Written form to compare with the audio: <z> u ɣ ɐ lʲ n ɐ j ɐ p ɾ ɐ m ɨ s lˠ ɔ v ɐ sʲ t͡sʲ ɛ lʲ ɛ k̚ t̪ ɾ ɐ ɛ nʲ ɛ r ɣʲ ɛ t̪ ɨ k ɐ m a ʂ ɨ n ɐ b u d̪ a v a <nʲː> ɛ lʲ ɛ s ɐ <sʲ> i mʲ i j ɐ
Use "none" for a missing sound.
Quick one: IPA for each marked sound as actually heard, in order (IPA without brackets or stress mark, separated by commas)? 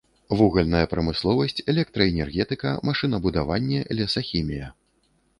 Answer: v, nʲː, xʲ